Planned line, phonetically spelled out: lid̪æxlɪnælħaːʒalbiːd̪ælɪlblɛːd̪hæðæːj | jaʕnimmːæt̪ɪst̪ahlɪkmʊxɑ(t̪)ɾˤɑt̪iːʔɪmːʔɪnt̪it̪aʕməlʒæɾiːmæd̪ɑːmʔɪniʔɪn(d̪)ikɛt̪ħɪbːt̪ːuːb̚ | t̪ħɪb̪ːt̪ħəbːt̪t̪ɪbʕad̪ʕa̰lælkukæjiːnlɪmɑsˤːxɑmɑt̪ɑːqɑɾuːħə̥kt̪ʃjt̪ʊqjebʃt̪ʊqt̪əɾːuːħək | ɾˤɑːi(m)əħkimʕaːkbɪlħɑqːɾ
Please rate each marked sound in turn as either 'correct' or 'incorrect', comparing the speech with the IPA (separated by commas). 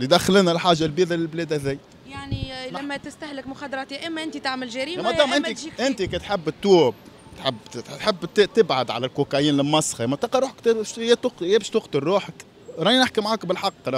incorrect, incorrect, incorrect